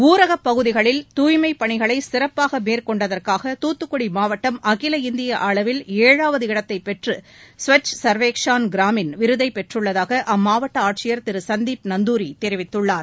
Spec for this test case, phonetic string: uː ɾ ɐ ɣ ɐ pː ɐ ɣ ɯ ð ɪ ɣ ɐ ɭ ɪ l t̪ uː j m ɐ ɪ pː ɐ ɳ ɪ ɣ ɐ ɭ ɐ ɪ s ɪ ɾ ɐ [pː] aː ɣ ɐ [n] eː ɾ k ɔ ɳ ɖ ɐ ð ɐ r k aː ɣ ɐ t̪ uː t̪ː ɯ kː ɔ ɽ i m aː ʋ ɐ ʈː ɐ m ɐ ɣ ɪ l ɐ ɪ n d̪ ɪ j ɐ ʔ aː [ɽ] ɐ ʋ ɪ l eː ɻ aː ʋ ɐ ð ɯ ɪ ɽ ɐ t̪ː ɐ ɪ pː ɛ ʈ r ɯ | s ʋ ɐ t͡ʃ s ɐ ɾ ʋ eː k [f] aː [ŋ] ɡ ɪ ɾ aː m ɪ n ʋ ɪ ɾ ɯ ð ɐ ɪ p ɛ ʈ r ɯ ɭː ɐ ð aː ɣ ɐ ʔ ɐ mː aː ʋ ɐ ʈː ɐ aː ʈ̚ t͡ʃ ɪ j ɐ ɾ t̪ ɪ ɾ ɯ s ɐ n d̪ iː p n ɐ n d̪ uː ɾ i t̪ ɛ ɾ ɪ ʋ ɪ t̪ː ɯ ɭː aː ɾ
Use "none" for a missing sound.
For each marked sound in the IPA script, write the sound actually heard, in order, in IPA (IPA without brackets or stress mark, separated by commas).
pː, m, ɭ, ʂ, n